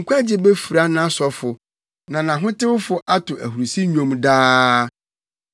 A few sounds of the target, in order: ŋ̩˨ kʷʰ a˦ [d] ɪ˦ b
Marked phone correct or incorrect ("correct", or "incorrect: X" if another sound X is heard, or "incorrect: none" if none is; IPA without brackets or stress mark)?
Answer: incorrect: d͡ʑ